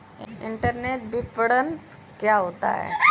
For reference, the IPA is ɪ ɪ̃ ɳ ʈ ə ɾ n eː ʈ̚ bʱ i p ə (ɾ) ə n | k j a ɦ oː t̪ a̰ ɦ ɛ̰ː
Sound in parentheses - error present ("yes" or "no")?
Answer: yes